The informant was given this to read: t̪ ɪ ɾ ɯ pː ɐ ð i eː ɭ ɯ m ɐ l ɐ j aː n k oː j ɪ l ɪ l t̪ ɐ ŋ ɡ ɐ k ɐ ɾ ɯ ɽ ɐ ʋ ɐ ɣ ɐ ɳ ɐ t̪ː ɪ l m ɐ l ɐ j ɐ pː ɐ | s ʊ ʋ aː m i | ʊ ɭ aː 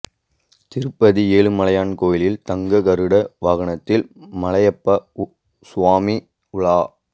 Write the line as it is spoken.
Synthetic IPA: t̪ ɪ ɾ ɯ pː ɐ ð i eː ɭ ɯ m ɐ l ɐ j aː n k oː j ɪ l ɪ l t̪ ɐ ŋ ɡ ɐ k ɐ ɾ ɯ ɽ ɐ ʋ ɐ ɣ ɐ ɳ ɐ t̪ː ɪ l m ɐ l ɐ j ɐ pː ɐ | s ʊ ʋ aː m i | ʊ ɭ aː